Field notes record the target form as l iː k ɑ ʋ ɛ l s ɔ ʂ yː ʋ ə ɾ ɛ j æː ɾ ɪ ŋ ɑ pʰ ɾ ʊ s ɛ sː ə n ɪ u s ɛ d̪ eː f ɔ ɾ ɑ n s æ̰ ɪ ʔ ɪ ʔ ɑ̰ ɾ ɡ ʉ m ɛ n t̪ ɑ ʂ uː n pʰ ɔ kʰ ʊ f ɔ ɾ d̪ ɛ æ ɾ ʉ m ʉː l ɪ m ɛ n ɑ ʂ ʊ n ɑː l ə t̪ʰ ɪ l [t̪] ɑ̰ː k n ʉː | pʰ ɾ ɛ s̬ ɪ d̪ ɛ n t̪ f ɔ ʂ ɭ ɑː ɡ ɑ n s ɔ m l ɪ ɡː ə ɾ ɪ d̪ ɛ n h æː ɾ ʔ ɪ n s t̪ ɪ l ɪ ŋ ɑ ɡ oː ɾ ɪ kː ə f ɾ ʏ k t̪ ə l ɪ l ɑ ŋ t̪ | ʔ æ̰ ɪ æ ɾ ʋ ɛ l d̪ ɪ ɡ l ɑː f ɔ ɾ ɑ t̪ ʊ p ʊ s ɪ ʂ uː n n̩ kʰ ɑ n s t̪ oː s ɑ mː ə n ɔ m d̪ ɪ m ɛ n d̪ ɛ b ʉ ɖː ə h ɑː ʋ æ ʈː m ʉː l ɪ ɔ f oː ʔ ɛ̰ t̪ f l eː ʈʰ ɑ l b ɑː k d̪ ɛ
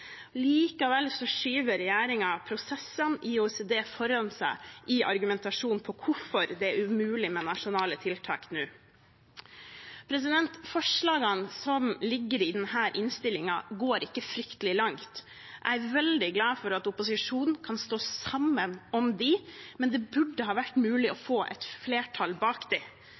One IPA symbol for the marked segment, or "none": t̪ʰ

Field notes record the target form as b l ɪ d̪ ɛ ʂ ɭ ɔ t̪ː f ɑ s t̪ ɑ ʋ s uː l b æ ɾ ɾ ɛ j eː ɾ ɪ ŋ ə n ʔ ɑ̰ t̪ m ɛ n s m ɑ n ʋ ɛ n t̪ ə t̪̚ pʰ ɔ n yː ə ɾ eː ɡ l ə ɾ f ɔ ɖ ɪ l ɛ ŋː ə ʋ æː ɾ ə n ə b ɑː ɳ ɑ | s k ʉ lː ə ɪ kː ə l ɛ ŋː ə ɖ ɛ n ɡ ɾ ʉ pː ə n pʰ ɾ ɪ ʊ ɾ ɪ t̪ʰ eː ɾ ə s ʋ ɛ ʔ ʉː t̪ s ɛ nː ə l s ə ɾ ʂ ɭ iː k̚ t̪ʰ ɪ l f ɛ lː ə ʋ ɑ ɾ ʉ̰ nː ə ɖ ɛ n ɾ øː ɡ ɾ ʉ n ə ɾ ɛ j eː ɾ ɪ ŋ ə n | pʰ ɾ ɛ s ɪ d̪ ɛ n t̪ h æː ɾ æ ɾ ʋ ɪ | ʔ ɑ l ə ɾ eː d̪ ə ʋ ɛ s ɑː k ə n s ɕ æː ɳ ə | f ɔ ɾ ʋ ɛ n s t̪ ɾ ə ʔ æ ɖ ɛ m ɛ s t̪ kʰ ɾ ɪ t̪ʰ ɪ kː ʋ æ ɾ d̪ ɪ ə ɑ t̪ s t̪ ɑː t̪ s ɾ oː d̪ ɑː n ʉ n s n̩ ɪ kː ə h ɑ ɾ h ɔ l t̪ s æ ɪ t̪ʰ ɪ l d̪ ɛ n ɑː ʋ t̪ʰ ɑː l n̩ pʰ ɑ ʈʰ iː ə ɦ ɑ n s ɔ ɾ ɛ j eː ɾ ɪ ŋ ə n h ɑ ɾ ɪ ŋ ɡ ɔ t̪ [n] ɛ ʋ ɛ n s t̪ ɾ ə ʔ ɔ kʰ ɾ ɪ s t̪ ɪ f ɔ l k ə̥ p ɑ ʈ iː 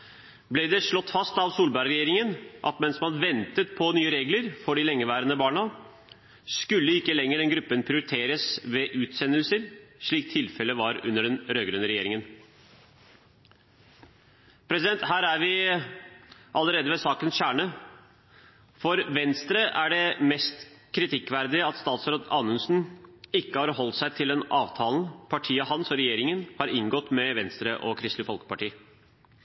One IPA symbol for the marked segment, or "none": m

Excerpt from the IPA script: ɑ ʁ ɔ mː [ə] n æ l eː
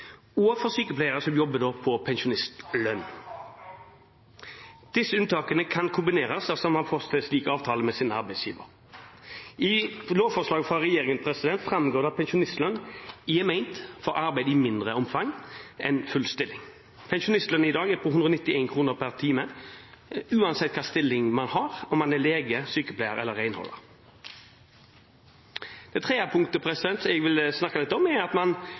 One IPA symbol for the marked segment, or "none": ɑ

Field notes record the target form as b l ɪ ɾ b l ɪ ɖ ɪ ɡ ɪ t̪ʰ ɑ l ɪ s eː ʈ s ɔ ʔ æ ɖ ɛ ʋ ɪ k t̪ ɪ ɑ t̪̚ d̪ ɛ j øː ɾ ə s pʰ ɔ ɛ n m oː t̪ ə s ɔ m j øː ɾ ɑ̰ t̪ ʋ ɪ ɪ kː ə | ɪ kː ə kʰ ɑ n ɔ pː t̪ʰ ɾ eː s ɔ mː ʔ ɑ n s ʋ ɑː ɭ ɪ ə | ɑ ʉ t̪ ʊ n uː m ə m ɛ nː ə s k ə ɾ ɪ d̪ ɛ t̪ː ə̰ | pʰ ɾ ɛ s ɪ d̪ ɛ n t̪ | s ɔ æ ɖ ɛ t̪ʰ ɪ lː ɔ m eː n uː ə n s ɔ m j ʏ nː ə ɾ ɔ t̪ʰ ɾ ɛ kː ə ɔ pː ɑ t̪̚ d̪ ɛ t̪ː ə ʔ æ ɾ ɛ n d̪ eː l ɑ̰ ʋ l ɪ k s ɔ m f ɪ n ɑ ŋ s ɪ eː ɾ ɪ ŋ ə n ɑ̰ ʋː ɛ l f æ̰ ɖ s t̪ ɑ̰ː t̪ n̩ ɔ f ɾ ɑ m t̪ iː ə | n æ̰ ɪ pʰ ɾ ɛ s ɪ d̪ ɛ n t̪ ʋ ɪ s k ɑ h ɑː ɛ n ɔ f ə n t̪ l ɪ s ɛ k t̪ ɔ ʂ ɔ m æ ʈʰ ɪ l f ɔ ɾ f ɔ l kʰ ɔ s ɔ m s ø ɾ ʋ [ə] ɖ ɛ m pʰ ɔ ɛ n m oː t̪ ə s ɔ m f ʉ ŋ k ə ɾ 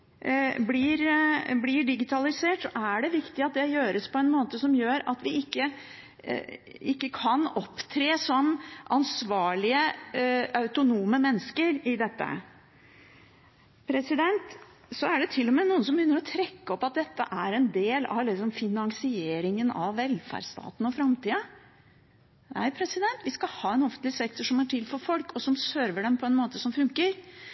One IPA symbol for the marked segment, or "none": ə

